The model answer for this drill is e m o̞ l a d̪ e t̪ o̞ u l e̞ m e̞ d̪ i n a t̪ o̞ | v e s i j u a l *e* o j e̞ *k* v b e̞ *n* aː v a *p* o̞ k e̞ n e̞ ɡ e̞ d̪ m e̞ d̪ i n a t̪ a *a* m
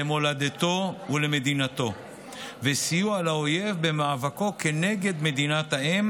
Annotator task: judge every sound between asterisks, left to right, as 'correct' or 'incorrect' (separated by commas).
incorrect, incorrect, incorrect, incorrect, incorrect